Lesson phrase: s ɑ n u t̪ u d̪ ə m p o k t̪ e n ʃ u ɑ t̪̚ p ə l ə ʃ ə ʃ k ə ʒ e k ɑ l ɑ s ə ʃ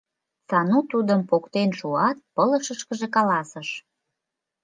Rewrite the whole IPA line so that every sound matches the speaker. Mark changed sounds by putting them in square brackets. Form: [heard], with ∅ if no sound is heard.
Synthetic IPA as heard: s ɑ n u t̪ u d̪ ə m p o k t̪ e n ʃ u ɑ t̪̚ p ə l ə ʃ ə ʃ k ə ʒ e k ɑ l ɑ s ə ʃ

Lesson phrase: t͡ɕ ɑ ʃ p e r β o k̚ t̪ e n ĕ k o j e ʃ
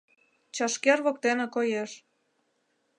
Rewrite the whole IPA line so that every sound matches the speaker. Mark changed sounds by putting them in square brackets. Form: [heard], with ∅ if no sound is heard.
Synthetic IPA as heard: t͡ɕ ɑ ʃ [k] e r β o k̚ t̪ e n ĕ k o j e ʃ

